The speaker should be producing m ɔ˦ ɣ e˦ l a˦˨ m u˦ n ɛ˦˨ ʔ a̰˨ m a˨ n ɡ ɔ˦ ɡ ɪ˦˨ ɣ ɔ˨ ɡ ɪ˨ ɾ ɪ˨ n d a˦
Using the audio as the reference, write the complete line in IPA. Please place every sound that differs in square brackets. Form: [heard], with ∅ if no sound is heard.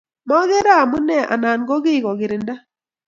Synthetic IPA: m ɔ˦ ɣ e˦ [ɾ] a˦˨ m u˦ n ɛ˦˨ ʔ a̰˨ [n] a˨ n ɡ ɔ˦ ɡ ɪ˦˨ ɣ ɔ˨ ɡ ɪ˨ ɾ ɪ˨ n d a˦